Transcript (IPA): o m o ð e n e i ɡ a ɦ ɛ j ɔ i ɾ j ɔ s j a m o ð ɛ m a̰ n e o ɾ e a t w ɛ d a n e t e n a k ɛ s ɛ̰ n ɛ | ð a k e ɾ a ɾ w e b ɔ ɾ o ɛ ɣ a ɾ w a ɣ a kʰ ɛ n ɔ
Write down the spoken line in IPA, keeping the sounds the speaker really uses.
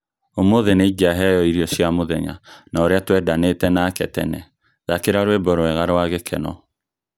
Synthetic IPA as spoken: o m o ð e n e i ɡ a ɦ ɛ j ɔ i ɾ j ɔ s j a m o ð ɛ ɲ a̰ n a o ɾ e a t w ɛ d a n e t ɛ n a k ɛ t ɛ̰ n ɛ | ð a k e ɾ a ɾ w e b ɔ ɾ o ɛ ɣ a ɾ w a ɣ e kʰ ɛ n ɔ